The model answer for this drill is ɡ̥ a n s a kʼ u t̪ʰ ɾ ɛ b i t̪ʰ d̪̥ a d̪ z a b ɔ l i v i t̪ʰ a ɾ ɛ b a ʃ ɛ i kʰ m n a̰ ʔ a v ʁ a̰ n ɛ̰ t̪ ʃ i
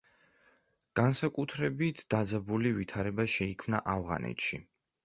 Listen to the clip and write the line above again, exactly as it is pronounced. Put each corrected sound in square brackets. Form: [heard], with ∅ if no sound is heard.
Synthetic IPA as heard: ɡ̥ a n s a kʼ u t̪ʰ ɾ ɛ b i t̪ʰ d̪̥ a d̪ z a b [u] l i v i t̪ʰ a ɾ ɛ b a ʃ ɛ i kʰ m n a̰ ʔ a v ʁ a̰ n ɛ̰ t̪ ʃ i